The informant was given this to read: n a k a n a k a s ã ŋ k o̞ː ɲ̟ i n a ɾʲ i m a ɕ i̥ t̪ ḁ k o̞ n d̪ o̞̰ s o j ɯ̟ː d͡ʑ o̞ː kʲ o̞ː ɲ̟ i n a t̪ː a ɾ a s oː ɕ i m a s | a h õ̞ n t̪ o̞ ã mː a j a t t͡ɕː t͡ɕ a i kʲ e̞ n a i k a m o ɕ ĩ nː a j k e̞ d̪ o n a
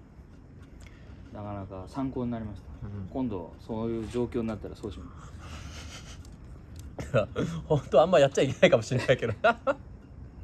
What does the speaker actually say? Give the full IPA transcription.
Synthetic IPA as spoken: n a k a n a k a s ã ŋ k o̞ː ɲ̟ i n a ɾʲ i m a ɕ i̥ t̪ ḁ k õ̞ n d̪ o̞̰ s o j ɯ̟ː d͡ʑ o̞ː kʲ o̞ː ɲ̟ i n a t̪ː a ɾ a s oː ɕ i m a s | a h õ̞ n t̪ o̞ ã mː a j a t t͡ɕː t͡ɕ a i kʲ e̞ n a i k a m o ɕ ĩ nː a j k e̞ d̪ o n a